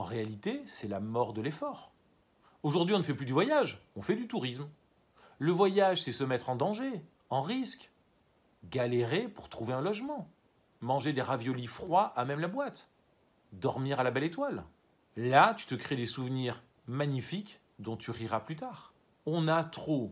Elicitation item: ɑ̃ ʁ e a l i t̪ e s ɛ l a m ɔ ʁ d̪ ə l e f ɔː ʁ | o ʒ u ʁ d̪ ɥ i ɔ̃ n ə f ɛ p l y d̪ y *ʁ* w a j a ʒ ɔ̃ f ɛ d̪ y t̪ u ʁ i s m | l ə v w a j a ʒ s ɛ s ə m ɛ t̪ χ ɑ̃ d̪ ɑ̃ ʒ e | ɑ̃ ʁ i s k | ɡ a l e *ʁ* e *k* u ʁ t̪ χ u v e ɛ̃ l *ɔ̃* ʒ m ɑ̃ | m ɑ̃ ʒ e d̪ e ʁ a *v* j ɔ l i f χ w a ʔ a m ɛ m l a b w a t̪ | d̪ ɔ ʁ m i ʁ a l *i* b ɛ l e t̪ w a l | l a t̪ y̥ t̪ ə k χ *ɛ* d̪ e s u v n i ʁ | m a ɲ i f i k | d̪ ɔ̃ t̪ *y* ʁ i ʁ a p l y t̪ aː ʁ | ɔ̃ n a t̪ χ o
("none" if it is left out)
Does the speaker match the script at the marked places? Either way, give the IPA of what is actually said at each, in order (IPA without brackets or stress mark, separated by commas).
v, ʁ, p, ɔ, v, a, e, y